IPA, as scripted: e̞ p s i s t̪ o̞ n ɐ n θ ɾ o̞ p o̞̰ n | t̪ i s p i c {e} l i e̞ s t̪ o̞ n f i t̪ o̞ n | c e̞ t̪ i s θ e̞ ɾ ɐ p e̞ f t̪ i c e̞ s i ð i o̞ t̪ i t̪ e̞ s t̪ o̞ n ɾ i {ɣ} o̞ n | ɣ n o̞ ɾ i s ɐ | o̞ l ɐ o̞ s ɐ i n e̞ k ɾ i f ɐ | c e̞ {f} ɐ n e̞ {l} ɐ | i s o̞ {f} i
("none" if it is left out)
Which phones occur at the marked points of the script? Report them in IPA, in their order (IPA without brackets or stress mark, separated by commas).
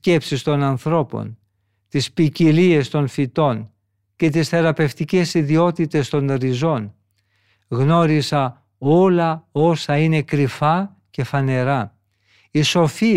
i, z, f, ɾ, f